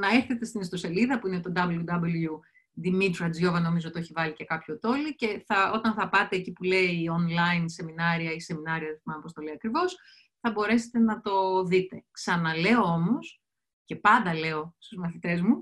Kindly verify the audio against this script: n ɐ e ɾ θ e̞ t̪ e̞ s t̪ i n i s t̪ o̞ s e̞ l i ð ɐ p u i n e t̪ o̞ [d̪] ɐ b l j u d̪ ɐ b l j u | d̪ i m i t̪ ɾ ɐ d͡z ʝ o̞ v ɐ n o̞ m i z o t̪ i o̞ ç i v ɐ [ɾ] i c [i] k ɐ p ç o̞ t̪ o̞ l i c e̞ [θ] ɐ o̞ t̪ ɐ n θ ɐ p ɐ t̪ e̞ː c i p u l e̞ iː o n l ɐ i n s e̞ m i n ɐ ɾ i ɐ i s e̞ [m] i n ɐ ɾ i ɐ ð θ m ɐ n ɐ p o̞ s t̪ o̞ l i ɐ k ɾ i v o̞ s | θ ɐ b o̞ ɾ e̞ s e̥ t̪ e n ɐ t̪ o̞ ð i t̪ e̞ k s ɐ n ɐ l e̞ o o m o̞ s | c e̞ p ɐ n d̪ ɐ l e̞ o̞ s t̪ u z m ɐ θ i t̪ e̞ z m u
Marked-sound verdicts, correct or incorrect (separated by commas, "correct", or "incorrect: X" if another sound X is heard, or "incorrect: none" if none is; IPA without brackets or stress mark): correct, incorrect: l, incorrect: e, correct, correct